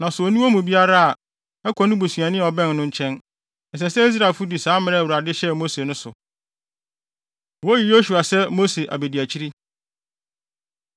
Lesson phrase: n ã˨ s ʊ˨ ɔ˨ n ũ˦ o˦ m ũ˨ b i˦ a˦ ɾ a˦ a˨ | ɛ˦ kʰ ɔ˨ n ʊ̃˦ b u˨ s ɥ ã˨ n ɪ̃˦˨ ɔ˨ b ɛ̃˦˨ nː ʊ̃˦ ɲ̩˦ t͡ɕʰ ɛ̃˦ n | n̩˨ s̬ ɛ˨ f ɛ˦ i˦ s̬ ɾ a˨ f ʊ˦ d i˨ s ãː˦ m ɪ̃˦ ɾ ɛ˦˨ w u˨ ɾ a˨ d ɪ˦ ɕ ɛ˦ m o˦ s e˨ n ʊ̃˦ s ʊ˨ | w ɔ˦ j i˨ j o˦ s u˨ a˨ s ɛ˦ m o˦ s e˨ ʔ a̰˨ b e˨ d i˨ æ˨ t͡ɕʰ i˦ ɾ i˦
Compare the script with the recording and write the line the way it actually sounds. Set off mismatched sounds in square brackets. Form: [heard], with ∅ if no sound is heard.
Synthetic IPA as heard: n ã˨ s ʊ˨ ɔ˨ n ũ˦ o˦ m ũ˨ b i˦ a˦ ɾ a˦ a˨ | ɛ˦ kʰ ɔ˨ n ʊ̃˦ b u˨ s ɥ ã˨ n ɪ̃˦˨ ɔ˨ b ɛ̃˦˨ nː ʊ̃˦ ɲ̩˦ t͡ɕʰ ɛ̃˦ n | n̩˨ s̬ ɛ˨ [s] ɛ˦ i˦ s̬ ɾ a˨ f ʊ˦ d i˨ s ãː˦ m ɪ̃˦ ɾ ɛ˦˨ w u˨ ɾ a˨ d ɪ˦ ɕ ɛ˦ m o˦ s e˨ n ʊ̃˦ s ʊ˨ | w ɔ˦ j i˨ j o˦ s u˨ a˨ s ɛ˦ m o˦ s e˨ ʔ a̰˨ b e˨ d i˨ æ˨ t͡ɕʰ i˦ ɾ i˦